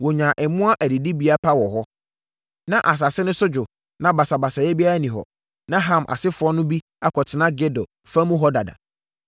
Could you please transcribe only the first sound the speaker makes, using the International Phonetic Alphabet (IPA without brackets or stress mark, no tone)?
w